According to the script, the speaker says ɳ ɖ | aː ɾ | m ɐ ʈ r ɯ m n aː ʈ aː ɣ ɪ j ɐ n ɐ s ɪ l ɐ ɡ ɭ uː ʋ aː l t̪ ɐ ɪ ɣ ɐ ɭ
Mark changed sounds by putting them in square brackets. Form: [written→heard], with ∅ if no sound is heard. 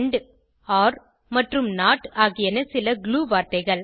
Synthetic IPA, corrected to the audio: ɳ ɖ | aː ɾ | m ɐ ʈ r ɯ m n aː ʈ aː ɣ ɪ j ɐ n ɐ s ɪ l ɐ ɡ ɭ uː ʋ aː [l→ɾ] t̪ ɐ ɪ ɣ ɐ ɭ